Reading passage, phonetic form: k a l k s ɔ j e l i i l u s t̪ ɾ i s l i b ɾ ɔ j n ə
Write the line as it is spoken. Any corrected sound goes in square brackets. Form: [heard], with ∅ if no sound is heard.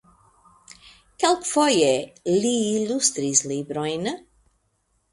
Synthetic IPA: k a l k [f] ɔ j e l i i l u s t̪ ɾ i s l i b ɾ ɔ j n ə

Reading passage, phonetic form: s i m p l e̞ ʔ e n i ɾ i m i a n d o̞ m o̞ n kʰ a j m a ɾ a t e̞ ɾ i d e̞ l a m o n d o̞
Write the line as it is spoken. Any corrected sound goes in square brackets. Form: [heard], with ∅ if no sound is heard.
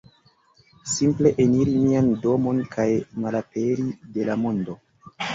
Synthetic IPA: s i m p l e̞ ʔ e n i ɾ i m i a n d o̞ m o̞ n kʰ a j m a [l] a [p] e̞ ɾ i d e̞ l a m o n d o̞

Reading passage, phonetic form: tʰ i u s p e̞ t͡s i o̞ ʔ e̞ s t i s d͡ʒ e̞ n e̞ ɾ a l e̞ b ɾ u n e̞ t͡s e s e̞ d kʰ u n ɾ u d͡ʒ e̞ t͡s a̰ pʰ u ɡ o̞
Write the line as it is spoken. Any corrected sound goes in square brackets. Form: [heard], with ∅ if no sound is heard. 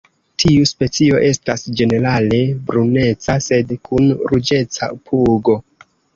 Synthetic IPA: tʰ i u s p e̞ t͡s i o̞ ʔ e̞ s t [a] s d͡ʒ e̞ n e̞ ɾ a l e̞ b ɾ u n e̞ t͡s [a] s e̞ d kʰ u n ɾ u d͡ʒ e̞ t͡s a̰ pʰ u ɡ o̞

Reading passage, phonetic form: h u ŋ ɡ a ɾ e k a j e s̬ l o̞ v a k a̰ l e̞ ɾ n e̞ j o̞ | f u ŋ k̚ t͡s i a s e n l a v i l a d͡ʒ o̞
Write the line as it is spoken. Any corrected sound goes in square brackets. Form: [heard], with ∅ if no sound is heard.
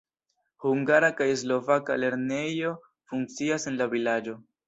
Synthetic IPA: h u ŋ ɡ a ɾ [a] k a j e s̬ l o̞ v a k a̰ l e̞ ɾ n e̞ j o̞ | f u ŋ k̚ t͡s i a s e n l a v i l a d͡ʒ o̞

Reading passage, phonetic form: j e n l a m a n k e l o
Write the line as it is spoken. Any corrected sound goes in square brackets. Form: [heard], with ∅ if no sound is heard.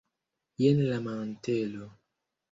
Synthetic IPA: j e n l a m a n [t] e l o

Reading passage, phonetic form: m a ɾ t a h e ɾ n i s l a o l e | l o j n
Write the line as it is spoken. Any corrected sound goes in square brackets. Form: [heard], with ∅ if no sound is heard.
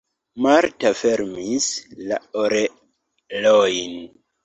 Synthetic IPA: m a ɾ t a [f] e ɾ [m] i s l a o [ɾ] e | l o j n

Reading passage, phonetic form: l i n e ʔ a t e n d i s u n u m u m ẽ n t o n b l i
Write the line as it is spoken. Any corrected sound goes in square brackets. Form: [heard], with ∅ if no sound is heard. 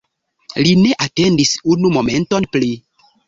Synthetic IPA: l i n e ʔ a t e n d i s u n u m [o] m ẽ n t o n [p] l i

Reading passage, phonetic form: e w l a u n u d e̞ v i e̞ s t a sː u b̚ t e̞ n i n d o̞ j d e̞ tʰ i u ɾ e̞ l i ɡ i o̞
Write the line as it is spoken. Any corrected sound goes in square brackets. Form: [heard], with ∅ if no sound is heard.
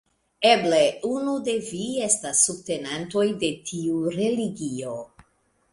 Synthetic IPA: e [b] l [e] u n u d e̞ v i e̞ s t a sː u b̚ t e̞ n [a] n [t] o̞ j d e̞ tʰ i u ɾ e̞ l i ɡ i o̞

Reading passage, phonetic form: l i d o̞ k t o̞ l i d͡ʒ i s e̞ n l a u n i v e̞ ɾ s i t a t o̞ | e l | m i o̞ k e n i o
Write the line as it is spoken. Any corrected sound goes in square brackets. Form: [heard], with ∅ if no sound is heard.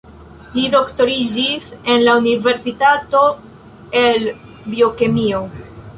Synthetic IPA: l i d o̞ k t o̞ [ɾ] i d͡ʒ i s e̞ n l a u n i v e̞ ɾ s i t a t o̞ | e l | [b] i o̞ k e [m] i o

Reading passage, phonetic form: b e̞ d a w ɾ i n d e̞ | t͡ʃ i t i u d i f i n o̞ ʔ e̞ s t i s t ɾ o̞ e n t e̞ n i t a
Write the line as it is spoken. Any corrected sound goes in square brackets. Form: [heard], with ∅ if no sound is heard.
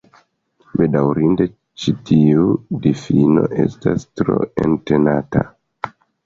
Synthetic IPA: b e̞ d a w ɾ i n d e̞ | t͡ʃ i t i u d i f i n o̞ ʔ e̞ s t [a] s t ɾ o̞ e n t e̞ n [a] t a

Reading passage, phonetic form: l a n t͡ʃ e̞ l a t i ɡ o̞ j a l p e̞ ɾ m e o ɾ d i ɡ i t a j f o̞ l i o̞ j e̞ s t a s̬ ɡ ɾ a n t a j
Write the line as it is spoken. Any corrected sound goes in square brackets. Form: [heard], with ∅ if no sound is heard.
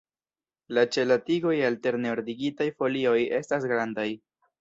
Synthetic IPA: l a [∅] t͡ʃ e̞ l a t i ɡ o̞ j a l [t] e̞ ɾ [n] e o ɾ d i ɡ i t a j f o̞ l i o̞ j e̞ s t a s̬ ɡ ɾ a n [d] a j

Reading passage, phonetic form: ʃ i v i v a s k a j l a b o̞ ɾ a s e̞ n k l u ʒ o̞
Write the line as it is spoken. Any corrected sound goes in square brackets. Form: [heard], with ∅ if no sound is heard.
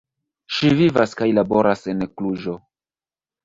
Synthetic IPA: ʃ i v i v a s k a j l a b o̞ ɾ a s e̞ n k l u ʒ o̞

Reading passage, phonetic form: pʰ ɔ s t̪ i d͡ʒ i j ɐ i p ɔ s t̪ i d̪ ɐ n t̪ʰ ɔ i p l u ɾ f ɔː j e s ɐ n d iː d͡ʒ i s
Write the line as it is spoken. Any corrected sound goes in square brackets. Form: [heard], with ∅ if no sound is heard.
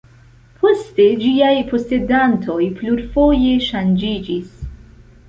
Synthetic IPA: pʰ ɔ s t̪ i d͡ʒ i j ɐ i p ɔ s t̪ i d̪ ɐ n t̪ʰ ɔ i p l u ɾ f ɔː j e [ʃ] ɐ n [d͡ʒ] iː d͡ʒ i s

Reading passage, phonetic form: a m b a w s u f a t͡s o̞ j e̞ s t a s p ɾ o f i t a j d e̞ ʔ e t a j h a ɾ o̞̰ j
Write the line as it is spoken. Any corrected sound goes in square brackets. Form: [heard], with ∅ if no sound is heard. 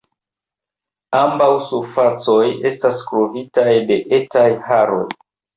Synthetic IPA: a m b a w s u f a t͡s o̞ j e̞ s t a s [k] ɾ o [v] i t a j d e̞ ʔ e t a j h a ɾ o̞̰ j

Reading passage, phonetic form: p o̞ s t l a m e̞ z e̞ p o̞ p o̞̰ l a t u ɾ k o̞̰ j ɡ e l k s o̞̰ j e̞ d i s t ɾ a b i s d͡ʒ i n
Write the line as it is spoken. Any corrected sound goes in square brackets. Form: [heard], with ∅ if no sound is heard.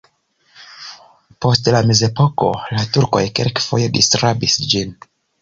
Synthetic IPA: p o̞ s t l a m e̞ z e̞ p o̞ [k] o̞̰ l a t u ɾ k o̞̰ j [k] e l k [f] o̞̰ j e̞ d i s t ɾ a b i s d͡ʒ i n

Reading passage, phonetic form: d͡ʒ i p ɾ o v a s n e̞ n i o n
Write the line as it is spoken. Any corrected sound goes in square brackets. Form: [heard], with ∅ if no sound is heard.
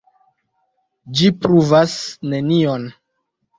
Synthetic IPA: d͡ʒ i p ɾ [u] v a s n e̞ n i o n

